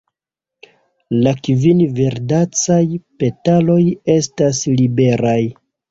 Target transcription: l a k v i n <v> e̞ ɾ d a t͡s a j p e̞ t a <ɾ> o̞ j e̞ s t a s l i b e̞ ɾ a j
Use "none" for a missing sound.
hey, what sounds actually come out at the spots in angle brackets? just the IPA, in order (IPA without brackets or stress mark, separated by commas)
v, l